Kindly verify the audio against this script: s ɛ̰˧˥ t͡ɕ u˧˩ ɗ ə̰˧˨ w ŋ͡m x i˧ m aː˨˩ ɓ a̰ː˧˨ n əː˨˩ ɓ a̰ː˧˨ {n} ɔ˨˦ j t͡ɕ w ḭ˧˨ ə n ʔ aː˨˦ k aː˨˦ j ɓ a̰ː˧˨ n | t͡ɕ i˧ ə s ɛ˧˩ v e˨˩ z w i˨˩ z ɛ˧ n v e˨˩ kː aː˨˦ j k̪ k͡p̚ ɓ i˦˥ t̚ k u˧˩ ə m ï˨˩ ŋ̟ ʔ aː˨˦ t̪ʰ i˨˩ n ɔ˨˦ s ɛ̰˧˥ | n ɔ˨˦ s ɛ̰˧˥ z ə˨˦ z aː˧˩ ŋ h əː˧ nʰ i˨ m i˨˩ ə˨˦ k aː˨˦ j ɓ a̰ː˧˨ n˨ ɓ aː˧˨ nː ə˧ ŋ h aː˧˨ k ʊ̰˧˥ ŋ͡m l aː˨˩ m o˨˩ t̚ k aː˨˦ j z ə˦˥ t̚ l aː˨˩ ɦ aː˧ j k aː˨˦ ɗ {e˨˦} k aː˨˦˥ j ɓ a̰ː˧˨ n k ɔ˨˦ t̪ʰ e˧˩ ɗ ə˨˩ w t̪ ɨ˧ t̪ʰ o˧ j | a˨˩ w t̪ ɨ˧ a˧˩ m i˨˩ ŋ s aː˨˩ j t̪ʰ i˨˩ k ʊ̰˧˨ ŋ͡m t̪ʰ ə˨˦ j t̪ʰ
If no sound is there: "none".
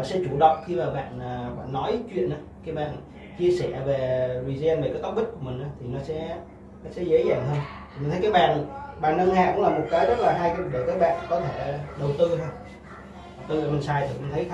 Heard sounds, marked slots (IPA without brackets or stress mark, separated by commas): nː, e˧˩